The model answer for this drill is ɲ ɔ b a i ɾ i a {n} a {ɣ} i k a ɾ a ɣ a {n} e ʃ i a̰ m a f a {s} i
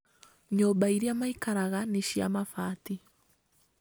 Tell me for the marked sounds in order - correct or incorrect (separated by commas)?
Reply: incorrect, incorrect, correct, incorrect